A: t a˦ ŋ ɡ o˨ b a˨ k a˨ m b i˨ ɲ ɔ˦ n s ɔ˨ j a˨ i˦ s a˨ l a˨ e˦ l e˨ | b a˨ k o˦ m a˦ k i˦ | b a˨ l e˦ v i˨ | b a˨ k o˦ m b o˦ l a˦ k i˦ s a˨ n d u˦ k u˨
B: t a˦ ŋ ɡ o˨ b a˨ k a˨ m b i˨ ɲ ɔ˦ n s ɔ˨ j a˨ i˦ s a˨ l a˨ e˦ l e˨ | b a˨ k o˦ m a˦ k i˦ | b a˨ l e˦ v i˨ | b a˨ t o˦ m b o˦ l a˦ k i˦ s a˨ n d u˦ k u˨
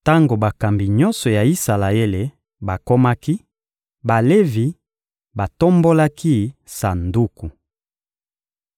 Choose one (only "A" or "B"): B